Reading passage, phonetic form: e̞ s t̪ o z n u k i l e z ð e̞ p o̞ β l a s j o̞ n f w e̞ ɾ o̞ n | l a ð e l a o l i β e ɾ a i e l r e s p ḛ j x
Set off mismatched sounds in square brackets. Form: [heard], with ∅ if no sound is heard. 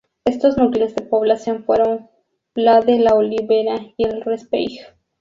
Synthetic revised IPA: e̞ s t̪ o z n u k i l e z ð e̞ p o̞ β l a s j o̞ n f w e̞ ɾ o̞ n | l a ð e l a o l i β e ɾ a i e l r e s p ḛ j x